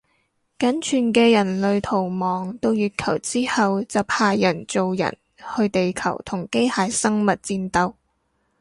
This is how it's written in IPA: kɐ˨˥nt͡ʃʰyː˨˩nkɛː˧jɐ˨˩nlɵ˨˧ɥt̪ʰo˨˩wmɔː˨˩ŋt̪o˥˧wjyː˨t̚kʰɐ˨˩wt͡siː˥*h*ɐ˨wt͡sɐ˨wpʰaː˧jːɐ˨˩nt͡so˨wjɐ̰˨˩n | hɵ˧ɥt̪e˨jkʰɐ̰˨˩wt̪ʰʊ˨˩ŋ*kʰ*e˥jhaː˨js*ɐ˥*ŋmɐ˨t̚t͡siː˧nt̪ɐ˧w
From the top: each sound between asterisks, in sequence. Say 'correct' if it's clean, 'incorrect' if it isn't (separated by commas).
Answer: correct, incorrect, correct